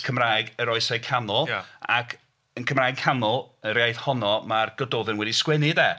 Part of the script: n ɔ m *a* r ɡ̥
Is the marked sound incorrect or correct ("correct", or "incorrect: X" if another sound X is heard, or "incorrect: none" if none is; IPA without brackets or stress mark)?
correct